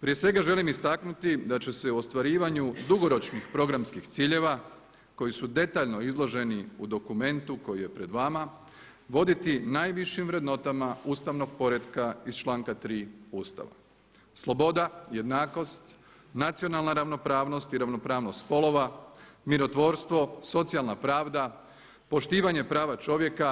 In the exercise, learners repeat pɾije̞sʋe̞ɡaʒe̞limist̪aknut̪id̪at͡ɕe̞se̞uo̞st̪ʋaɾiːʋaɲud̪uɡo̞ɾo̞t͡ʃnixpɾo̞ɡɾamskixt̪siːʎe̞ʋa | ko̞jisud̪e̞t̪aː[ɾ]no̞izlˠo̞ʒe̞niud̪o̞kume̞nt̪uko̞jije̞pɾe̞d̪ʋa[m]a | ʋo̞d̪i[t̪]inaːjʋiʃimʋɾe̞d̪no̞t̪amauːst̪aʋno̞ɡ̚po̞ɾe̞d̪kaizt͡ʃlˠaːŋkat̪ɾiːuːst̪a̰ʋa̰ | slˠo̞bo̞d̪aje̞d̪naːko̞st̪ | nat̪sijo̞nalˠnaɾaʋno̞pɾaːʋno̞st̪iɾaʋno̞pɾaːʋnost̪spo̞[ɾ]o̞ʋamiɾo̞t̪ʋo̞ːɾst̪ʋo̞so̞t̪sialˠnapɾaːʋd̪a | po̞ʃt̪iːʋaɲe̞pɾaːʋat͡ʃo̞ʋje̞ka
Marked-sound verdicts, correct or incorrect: incorrect: ʎ, correct, correct, incorrect: l

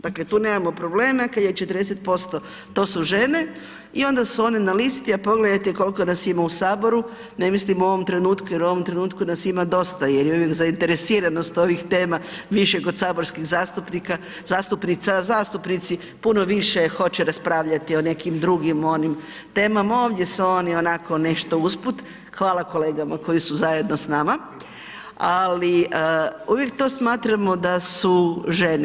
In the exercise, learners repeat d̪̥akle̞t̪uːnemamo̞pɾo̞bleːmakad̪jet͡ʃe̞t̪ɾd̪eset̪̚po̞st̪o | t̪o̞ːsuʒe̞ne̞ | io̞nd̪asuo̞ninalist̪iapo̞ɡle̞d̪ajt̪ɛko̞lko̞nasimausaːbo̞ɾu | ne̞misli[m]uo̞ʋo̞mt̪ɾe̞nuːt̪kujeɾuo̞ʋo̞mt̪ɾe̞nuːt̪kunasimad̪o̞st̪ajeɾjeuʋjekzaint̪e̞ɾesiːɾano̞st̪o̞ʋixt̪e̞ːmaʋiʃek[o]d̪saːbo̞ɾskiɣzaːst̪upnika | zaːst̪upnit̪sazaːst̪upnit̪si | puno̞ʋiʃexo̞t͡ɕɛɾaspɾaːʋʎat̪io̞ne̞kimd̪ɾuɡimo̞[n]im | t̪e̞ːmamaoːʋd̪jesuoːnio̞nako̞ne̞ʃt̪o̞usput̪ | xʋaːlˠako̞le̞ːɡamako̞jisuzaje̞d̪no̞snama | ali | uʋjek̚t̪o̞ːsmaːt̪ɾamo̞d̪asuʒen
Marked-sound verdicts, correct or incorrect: correct, correct, correct

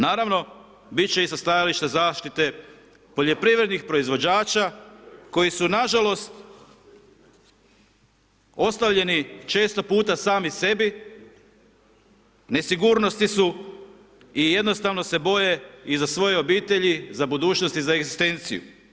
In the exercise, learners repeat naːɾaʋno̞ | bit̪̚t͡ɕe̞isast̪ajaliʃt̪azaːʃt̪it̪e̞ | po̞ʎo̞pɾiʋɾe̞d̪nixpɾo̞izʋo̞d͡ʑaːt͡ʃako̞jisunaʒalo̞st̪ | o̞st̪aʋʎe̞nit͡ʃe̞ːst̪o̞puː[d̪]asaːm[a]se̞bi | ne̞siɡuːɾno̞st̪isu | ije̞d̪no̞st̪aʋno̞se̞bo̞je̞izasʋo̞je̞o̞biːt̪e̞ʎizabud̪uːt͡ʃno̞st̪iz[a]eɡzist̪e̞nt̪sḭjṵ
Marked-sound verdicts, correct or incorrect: incorrect: t̪, incorrect: i, correct

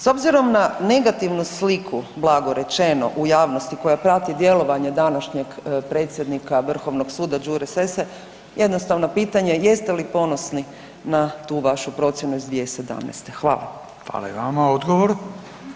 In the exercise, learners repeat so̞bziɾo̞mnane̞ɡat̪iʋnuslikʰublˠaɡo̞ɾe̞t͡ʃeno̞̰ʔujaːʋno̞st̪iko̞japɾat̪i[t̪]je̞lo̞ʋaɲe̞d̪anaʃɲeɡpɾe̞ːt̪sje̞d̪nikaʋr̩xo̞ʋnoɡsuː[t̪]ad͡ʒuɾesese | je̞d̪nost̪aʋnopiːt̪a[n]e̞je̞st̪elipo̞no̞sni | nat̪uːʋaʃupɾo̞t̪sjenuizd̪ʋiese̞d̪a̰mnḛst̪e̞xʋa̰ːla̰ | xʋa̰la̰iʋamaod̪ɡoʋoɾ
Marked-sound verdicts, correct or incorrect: incorrect: d̪, incorrect: d̪, incorrect: ɲ

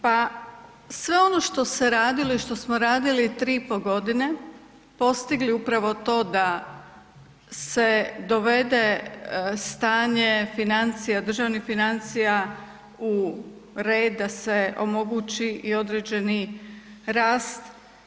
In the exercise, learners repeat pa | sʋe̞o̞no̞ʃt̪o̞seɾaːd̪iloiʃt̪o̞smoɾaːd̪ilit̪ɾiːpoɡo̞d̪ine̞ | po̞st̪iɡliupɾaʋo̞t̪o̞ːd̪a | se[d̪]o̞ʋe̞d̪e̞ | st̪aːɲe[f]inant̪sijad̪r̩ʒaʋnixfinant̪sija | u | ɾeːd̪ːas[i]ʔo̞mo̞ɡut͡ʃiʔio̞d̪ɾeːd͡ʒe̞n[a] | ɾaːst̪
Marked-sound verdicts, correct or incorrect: correct, correct, incorrect: e, incorrect: i

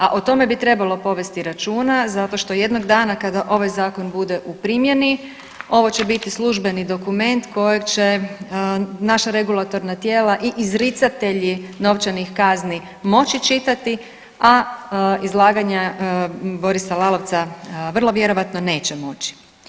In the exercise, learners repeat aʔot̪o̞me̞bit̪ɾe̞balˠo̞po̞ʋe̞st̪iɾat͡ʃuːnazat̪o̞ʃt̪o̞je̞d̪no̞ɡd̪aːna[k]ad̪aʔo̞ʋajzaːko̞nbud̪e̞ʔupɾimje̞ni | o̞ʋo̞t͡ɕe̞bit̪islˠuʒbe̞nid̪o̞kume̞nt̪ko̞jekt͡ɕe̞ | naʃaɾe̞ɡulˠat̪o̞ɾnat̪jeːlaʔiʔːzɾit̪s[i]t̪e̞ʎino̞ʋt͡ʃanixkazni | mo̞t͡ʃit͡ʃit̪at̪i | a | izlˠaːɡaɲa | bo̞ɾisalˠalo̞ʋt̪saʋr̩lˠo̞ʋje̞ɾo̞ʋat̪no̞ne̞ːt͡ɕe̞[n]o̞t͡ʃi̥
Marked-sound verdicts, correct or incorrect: correct, incorrect: a, incorrect: m

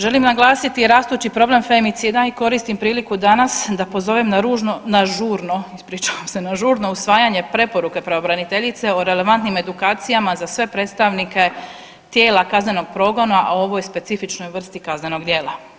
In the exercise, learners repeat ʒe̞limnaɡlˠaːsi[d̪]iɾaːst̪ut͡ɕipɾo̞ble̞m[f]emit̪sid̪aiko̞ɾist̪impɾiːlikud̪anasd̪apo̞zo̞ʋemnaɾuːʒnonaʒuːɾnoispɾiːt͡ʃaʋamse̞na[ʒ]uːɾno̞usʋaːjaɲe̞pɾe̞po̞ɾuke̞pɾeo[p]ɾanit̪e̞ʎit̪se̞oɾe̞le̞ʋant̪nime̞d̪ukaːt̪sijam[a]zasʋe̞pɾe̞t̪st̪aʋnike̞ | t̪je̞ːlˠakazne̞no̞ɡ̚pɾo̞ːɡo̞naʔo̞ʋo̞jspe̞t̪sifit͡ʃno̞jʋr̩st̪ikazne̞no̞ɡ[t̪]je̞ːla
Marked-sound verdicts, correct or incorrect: incorrect: t̪, correct, correct, incorrect: b, correct, incorrect: d̪

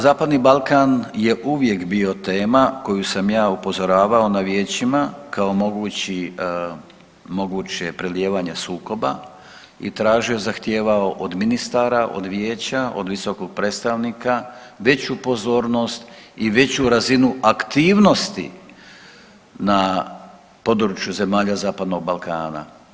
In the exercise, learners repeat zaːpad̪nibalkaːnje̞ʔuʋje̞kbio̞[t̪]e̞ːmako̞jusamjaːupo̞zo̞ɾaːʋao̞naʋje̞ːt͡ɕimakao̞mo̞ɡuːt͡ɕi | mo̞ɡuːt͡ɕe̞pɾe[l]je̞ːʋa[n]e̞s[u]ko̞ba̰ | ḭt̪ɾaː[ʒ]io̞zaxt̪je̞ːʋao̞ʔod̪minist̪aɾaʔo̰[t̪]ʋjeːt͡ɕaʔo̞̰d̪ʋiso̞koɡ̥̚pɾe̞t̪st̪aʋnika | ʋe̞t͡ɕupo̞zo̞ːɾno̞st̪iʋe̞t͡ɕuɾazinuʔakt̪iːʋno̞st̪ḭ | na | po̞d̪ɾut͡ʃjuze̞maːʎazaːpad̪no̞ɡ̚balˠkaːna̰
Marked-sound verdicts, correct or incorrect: correct, correct, incorrect: ɲ, incorrect: uː, correct, incorrect: d̪

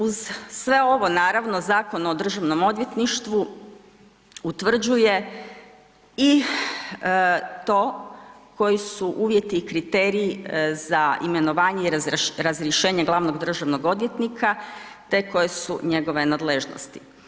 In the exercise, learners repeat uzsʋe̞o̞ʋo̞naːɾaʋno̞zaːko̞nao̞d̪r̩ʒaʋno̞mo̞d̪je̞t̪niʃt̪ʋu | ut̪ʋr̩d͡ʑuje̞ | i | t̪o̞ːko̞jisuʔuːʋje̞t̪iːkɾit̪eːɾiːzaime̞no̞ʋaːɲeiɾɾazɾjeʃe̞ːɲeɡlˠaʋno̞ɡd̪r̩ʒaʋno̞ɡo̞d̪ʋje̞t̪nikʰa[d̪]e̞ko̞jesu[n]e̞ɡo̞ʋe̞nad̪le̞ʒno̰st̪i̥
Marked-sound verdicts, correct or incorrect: incorrect: t̪, incorrect: ɲ

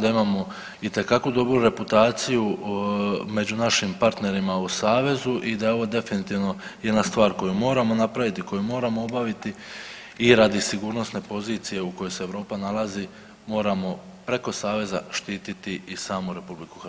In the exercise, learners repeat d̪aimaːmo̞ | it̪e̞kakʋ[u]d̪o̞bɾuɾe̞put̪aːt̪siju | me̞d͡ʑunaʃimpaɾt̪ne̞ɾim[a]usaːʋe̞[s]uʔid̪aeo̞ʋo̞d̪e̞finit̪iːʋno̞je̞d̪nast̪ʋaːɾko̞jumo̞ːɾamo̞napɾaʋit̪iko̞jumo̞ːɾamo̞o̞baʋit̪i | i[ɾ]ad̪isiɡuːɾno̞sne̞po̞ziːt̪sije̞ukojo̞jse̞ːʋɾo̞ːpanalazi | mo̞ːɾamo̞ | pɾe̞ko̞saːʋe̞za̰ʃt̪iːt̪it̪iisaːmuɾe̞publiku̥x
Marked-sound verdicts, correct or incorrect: correct, correct, incorrect: z, correct

